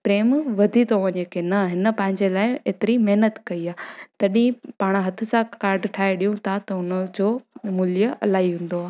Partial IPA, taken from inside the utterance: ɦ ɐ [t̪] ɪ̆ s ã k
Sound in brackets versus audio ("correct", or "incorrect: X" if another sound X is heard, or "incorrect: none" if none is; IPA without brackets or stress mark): incorrect: t̪ʰ